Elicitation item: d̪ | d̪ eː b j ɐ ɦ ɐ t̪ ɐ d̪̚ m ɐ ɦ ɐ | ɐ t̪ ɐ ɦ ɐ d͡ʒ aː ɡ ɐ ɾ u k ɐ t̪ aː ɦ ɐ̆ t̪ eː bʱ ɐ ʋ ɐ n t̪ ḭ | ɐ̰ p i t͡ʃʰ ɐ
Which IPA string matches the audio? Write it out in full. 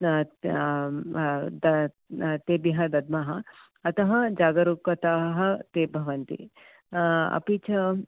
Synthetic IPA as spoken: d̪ | t̪ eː b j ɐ ɦ ɐ d̪ ɐ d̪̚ m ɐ ɦ ɐ | ɐ t̪ ɐ ɦ ɐ d͡ʒ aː ɡ ɐ ɾ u k ɐ t̪ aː ɦ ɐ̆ t̪ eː bʱ ɐ ʋ ɐ n t̪ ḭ | ɐ̰ p i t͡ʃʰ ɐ